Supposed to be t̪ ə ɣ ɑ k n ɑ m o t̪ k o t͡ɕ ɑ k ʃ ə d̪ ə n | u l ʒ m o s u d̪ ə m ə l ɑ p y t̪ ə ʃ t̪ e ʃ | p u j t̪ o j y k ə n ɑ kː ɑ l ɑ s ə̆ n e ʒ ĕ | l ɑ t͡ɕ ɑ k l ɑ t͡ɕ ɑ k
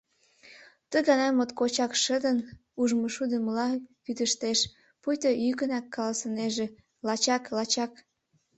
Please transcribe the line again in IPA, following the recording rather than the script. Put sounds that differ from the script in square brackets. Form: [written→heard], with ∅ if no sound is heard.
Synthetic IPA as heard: t̪ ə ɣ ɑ [k→∅] n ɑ m o t̪ k o t͡ɕ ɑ k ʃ ə d̪ ə n | u [l→∅] ʒ m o [s→ʃ] u d̪ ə m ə l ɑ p y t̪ ə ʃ t̪ e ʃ | p u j t̪ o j y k ə n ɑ kː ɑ l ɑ s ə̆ n e ʒ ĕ | l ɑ t͡ɕ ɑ k l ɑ t͡ɕ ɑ k